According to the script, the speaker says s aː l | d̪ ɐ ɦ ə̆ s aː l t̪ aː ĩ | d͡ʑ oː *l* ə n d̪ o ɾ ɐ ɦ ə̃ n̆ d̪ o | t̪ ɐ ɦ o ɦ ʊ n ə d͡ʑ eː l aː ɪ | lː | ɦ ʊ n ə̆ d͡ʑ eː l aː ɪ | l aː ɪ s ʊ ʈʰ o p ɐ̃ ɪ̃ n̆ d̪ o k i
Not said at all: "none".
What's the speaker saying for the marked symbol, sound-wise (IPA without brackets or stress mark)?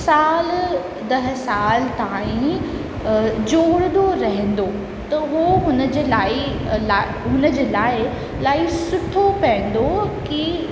ɽ